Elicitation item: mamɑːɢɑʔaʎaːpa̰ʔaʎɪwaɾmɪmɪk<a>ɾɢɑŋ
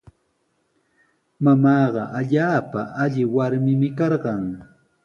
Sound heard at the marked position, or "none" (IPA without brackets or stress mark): ɑ